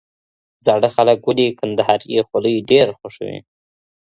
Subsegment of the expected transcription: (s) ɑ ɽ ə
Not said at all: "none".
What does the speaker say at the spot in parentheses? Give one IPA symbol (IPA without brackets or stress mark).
z